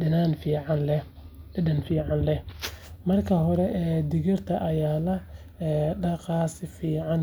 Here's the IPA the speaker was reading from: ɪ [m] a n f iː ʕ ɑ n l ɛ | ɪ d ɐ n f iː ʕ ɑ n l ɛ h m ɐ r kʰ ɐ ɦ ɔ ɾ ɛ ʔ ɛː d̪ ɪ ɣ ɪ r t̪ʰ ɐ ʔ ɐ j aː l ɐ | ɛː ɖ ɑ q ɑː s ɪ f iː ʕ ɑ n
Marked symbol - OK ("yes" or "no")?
no